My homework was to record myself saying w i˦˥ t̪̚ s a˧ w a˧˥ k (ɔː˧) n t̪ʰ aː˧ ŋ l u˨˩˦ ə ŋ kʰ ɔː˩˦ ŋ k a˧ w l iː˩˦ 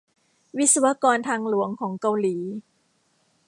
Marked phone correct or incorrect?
correct